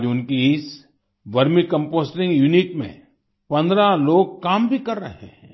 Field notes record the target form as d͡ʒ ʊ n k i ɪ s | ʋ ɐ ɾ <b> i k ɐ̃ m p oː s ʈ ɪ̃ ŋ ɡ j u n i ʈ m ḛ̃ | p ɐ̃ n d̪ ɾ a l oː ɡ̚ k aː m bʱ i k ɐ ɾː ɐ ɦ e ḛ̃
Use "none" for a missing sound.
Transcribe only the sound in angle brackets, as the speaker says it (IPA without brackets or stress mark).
m